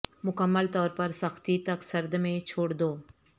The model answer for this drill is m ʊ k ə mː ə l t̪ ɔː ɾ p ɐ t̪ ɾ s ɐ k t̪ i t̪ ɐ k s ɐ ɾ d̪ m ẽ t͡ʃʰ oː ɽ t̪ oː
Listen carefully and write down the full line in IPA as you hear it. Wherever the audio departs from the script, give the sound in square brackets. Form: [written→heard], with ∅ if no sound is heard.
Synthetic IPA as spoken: m ʊ k ə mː ə l t̪ ɔː ɾ p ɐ [t̪→∅] ɾ s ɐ [k→x] t̪ i t̪ ɐ k s ɐ ɾ d̪ m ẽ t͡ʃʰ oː ɽ [t̪→d̪] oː

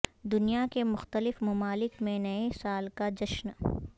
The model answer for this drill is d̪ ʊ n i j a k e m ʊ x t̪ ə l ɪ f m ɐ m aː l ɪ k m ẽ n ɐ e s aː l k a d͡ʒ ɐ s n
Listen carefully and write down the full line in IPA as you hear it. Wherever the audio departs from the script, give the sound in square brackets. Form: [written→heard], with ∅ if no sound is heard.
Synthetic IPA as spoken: d̪ ʊ n i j a k e m ʊ x t̪ ə l ɪ f m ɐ m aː l ɪ k m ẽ n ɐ e s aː l k a d͡ʒ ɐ [s→ʃ] n

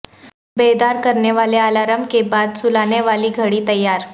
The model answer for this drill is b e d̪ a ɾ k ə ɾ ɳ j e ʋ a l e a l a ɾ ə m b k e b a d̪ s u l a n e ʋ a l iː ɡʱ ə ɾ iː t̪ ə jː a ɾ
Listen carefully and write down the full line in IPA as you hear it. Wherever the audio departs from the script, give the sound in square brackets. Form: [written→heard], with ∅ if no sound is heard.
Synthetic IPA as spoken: b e d̪ a ɾ k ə ɾ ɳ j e ʋ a l e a l a ɾ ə m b k e b a d̪ s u l a n e ʋ a l iː ɡʱ ə [ɾ→ɽ] iː t̪ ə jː a ɾ

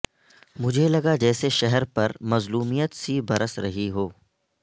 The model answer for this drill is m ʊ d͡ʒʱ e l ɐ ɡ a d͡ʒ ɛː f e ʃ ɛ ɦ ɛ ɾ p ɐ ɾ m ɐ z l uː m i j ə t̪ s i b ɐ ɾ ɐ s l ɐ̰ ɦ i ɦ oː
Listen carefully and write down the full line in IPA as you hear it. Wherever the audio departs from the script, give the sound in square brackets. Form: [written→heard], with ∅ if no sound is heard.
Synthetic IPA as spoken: m ʊ d͡ʒʱ e l ɐ ɡ a d͡ʒ ɛː [f→s] e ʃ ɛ ɦ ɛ ɾ p ɐ ɾ m ɐ z l uː m i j ə t̪ s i b ɐ ɾ [ɐ→ə] s [l→ɾ] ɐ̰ ɦ i ɦ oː

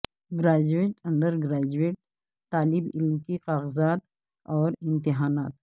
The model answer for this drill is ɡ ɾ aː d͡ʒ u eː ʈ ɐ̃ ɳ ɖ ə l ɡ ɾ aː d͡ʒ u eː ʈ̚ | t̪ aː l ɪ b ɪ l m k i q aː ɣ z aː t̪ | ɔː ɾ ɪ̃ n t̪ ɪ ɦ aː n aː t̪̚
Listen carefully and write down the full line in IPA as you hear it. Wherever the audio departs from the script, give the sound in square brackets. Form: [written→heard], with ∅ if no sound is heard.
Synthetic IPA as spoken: ɡ ɾ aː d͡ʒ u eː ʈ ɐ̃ ɳ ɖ ə [l→ɾ] ɡ ɾ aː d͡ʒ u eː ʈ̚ | t̪ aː l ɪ b ɪ l m k i q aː ɣ z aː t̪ | ɔː ɾ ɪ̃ n t̪ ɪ ɦ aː n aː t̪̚

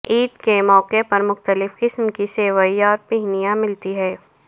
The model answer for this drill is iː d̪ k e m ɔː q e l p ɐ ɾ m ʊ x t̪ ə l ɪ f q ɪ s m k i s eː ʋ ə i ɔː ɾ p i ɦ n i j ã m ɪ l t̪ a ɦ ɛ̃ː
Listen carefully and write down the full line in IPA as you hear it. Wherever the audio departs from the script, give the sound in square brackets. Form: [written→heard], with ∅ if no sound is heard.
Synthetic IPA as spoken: iː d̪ k e m ɔː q e [l→∅] p ɐ ɾ m ʊ x t̪ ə l ɪ f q ɪ s m k i s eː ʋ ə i ɔː ɾ p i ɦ n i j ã m ɪ l t̪ [a→i] ɦ [ɛ̃ː→ɛː]

